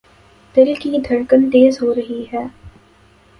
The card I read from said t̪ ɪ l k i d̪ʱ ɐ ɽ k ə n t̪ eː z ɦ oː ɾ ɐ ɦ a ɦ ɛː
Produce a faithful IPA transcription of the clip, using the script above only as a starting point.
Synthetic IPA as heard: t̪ ɪ l k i d̪ʱ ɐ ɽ k ə n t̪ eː z ɦ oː ɾ ɐ ɦ i ɦ ɛː